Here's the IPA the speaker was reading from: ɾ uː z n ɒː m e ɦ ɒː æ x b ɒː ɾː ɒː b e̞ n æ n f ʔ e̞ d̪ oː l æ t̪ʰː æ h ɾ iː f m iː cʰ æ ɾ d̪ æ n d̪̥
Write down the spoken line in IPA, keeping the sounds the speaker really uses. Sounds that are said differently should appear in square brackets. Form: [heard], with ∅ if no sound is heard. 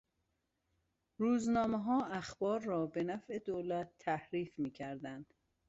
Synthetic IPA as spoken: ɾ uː z n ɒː m e ɦ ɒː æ x b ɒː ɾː ɒː b e̞ n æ [∅] f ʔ e̞ d̪ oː l æ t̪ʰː æ h ɾ iː f m iː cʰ æ ɾ d̪ æ n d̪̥